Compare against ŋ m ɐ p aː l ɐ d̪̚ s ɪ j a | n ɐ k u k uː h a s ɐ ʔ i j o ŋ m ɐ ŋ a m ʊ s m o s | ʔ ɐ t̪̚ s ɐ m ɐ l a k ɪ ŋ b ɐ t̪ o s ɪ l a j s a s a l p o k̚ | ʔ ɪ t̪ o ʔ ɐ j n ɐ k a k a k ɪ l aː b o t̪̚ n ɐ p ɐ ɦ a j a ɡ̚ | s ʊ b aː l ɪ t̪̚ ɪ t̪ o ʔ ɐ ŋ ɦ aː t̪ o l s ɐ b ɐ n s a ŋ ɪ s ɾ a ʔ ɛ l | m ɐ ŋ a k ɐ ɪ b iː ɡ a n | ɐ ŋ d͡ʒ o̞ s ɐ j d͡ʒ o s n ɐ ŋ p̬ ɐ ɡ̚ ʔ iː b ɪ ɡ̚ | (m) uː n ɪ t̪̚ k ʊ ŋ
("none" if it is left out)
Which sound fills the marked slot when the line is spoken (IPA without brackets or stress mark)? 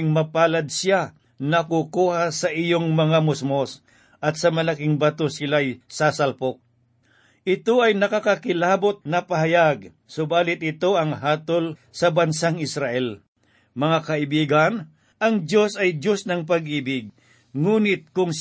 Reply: ŋ